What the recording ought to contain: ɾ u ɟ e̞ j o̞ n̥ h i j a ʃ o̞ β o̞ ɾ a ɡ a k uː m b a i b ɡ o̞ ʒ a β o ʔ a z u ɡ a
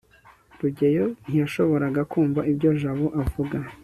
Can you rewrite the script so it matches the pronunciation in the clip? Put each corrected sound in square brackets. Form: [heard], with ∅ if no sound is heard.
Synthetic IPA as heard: ɾ u ɟ e̞ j o̞ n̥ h i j a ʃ o̞ β o̞ ɾ a ɡ a k uː m [v] a i b [ɟ] o̞ ʒ a β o ʔ a [v] u ɡ a